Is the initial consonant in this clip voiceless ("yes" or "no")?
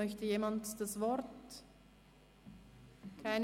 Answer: yes